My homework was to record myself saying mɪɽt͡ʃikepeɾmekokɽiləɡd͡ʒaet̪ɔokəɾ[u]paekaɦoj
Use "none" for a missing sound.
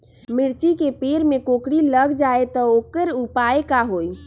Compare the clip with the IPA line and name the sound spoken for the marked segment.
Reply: u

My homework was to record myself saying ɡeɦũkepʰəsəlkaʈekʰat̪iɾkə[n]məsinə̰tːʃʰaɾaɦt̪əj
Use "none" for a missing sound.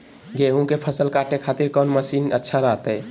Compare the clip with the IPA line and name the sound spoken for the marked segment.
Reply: n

